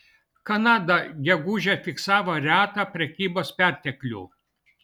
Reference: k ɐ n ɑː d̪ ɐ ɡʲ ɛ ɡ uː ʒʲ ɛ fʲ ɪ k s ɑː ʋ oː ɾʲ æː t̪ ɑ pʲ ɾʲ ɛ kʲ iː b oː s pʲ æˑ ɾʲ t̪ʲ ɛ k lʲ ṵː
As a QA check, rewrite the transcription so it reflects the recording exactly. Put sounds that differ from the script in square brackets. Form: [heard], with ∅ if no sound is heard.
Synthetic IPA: k ɐ n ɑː d̪ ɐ ɡʲ ɛ ɡ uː ʒʲ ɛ fʲ ɪ k s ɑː ʋ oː ɾʲ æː t̪ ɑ pʲ ɾʲ ɛ kʲ iː b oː s pʲ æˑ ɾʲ t̪ʲ ɛ k lʲ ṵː

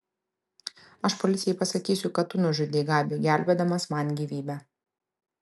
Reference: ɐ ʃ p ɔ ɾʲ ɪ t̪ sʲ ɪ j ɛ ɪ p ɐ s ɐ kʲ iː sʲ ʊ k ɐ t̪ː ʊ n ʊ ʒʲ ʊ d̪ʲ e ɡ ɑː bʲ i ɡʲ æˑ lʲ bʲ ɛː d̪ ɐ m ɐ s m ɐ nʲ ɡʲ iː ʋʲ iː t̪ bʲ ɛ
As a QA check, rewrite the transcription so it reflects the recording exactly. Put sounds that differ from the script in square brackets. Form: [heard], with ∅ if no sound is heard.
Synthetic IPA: ɐ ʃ p ɔ [lʲ] ɪ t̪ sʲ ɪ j ɛ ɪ p ɐ s ɐ kʲ iː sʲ ʊ k ɐ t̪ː ʊ n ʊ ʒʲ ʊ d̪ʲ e ɡ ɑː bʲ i ɡʲ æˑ lʲ bʲ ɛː d̪ ɐ m ɐ s m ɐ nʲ ɡʲ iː ʋʲ iː [∅] bʲ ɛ

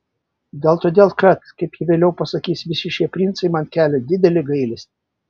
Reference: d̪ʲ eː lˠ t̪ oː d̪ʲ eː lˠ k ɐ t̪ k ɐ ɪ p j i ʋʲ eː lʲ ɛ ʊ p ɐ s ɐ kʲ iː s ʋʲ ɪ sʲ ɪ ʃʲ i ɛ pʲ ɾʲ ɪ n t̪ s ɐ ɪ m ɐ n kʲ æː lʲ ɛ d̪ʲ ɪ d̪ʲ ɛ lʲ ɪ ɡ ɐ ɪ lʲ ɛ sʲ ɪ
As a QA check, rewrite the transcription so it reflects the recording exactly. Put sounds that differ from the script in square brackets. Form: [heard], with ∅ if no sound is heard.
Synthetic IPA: d̪ʲ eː lˠ t̪ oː d̪ʲ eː lˠ k ɐ t̪ k ɐ ɪ p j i ʋʲ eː lʲ ɛ ʊ p ɐ s ɐ kʲ iː s ʋʲ ɪ sʲ ɪ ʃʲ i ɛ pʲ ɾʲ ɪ n t̪ s ɐ ɪ m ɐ n kʲ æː lʲ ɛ d̪ʲ ɪ d̪ʲ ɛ lʲ ɪ ɡ ɐ ɪ lʲ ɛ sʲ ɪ

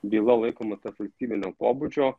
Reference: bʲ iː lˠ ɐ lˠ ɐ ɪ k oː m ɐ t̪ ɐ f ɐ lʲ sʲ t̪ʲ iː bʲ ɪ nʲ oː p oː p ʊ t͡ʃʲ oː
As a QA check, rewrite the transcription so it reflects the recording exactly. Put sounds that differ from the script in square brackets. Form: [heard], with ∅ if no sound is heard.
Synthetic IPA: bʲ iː lˠ ɐ lˠ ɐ ɪ k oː m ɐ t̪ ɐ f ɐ lʲ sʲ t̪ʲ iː bʲ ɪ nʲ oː p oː [b] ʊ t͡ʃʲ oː

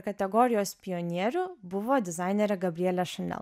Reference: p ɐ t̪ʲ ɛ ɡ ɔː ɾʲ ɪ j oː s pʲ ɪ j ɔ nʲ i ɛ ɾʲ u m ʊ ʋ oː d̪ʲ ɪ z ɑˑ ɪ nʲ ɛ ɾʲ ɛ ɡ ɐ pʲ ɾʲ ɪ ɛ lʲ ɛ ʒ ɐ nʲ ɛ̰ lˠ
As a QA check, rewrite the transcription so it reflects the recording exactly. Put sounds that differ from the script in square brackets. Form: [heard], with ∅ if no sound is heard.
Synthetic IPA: [k] ɐ t̪ʲ ɛ ɡ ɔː ɾʲ ɪ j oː s pʲ ɪ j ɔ nʲ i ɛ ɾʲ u [b] ʊ ʋ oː d̪ʲ ɪ z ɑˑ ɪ nʲ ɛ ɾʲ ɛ ɡ ɐ [bʲ] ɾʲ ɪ ɛ lʲ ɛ [ʃ] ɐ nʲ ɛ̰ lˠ

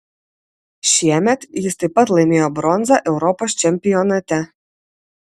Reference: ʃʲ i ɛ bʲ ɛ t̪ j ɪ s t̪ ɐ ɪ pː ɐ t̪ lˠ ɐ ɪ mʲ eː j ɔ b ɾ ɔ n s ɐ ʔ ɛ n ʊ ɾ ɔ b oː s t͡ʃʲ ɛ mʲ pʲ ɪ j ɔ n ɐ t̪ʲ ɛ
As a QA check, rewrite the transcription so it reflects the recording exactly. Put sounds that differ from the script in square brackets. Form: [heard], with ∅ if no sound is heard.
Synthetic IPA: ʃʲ i ɛ [mʲ] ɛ t̪ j ɪ s t̪ ɐ ɪ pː ɐ t̪ lˠ ɐ ɪ mʲ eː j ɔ b ɾ ɔ n [z] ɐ ʔ ɛ [∅] ʊ ɾ ɔ [p] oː s t͡ʃʲ ɛ mʲ pʲ ɪ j ɔ n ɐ t̪ʲ ɛ

